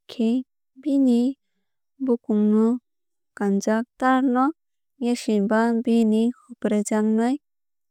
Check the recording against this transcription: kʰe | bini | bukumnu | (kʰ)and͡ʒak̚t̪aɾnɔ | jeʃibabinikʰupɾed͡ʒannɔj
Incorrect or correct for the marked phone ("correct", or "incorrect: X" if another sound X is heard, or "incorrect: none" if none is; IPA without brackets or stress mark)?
incorrect: k